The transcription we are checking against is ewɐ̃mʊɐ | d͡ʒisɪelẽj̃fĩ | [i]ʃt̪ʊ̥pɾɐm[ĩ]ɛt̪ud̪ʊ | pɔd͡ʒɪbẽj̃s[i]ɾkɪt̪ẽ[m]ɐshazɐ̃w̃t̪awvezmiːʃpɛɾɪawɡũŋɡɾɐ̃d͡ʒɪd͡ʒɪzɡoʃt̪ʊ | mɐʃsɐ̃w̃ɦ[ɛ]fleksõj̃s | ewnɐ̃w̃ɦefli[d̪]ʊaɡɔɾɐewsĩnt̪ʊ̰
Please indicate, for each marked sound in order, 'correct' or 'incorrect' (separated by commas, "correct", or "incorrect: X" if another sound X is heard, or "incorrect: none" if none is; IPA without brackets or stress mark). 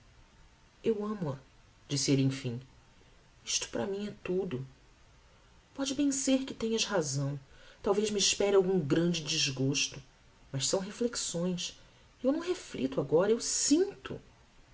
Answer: correct, correct, incorrect: e, incorrect: ɲ, incorrect: e, incorrect: t̪